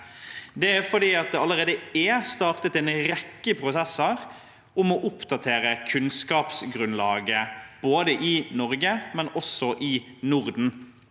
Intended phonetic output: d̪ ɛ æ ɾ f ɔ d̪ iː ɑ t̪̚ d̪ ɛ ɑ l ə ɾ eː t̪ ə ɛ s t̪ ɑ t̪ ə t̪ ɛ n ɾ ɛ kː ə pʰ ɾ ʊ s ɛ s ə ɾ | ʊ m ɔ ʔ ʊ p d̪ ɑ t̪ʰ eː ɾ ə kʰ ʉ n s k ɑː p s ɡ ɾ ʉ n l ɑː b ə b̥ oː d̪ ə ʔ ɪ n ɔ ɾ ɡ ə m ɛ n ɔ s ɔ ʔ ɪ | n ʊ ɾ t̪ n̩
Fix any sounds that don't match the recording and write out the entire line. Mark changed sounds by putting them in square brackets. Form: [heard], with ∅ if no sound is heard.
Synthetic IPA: d̪ ɛ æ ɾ f ɔ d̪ iː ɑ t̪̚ d̪ ɛ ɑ l ə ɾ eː [d̪] ə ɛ s t̪ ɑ t̪ ə t̪ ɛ n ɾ ɛ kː ə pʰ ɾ ʊ s ɛ s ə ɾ | ʊ m ɔ ʔ ʊ p d̪ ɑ t̪ʰ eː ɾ ə kʰ ʉ n s k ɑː p s ɡ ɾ ʉ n l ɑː [ɡ] ə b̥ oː d̪ ə ʔ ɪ n ɔ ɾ ɡ ə m ɛ n ɔ s ɔ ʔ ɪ | n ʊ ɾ [d̪] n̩